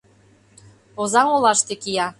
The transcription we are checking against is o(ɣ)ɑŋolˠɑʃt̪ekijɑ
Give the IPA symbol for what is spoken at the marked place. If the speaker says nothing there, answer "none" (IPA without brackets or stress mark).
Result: z